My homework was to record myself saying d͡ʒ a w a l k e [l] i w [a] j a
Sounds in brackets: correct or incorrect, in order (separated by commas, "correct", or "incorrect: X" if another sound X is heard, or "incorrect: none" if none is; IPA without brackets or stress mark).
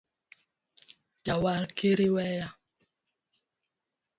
incorrect: ɾ, incorrect: ɛ